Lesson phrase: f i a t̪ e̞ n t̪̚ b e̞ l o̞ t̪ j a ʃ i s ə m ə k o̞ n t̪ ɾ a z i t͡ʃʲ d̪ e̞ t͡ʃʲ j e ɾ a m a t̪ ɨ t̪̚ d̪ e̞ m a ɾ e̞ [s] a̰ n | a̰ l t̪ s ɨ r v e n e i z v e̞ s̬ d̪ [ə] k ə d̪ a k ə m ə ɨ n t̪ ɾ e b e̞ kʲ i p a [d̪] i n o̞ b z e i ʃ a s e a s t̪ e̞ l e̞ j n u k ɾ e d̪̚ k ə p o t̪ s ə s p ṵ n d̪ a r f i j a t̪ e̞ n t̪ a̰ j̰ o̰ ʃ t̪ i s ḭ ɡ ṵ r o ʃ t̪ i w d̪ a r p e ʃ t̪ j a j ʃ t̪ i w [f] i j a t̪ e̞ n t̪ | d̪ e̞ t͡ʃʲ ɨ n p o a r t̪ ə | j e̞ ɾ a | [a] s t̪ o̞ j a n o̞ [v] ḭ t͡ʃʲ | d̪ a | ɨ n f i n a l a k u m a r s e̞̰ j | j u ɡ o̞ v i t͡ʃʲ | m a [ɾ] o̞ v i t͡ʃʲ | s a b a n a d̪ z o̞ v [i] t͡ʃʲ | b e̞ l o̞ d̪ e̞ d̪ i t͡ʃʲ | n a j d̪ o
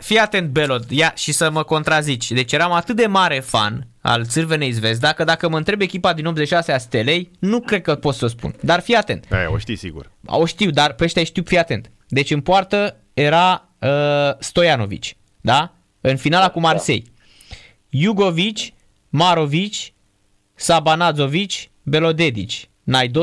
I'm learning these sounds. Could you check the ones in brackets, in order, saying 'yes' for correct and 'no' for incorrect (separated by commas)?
no, no, yes, yes, no, yes, yes, yes